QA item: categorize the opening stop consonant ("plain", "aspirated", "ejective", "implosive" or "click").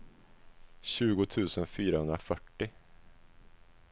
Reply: plain